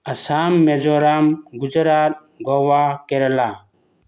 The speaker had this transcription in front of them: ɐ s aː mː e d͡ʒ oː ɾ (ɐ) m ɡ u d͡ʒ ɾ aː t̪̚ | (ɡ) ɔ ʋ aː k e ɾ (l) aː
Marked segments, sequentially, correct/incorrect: incorrect, correct, correct

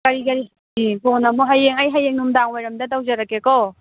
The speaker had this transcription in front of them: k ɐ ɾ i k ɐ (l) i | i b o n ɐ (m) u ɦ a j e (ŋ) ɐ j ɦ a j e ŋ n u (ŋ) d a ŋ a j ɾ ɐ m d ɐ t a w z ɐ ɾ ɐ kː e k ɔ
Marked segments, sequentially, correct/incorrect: incorrect, correct, correct, incorrect

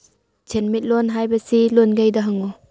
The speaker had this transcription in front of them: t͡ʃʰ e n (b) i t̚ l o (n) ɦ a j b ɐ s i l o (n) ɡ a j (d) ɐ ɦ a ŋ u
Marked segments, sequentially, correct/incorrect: incorrect, correct, correct, correct

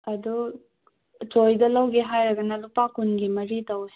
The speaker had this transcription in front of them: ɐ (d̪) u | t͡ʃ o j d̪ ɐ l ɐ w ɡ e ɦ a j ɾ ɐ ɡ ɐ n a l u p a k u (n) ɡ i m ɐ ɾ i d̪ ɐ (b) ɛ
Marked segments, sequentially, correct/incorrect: correct, correct, incorrect

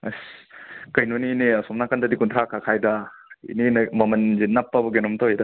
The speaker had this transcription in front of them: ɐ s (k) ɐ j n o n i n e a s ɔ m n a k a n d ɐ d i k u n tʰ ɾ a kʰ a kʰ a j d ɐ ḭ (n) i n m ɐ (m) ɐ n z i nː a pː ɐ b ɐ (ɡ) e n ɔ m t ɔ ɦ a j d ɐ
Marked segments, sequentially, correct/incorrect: correct, correct, correct, correct

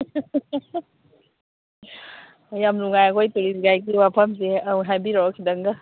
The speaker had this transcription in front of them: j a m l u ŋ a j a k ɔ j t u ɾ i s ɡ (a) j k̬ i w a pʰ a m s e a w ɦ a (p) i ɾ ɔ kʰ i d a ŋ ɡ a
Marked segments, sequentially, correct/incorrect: correct, incorrect

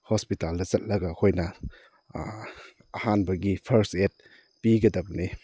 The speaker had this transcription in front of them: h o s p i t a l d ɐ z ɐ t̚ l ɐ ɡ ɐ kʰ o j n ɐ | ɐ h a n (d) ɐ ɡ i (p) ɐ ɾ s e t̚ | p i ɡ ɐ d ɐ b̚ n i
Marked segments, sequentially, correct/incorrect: incorrect, incorrect

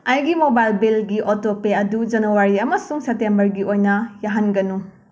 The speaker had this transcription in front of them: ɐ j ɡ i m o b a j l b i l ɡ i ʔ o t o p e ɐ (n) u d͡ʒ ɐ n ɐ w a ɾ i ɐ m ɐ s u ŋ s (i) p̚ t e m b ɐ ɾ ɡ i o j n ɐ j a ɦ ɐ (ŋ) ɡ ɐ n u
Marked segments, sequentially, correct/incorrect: incorrect, incorrect, incorrect

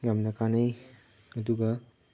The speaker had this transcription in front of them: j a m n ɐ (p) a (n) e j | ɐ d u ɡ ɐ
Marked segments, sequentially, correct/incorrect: incorrect, correct

